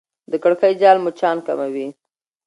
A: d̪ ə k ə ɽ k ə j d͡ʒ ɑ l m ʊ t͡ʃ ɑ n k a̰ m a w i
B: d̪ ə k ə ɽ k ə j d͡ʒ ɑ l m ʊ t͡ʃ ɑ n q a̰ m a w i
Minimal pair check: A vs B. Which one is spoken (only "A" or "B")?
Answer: A